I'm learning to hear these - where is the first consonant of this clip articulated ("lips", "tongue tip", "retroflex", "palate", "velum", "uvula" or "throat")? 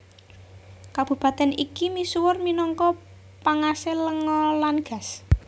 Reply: velum